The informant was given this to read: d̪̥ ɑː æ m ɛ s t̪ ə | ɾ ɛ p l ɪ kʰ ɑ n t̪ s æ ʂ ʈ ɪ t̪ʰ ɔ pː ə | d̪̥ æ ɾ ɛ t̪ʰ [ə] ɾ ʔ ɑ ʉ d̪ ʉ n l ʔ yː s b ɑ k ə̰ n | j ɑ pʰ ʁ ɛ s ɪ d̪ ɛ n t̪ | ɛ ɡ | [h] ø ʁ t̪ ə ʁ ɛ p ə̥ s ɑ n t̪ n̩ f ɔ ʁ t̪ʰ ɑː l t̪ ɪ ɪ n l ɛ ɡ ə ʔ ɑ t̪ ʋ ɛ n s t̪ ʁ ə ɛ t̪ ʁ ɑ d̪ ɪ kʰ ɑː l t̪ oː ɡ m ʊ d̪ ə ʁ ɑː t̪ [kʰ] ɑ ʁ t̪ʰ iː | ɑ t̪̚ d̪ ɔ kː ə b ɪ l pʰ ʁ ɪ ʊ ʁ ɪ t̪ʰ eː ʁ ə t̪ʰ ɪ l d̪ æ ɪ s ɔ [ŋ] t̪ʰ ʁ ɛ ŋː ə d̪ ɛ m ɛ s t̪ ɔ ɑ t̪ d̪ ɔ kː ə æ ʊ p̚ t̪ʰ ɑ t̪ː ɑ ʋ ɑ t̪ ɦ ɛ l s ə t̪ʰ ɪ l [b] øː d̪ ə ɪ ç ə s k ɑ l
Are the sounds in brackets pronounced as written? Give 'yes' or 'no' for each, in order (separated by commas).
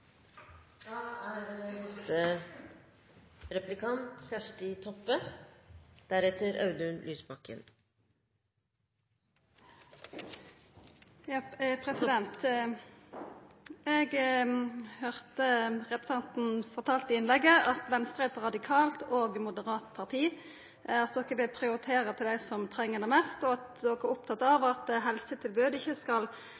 yes, yes, no, no, yes